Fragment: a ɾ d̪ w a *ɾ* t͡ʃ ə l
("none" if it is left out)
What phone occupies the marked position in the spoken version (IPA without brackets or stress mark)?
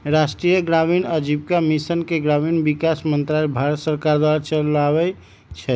ɾ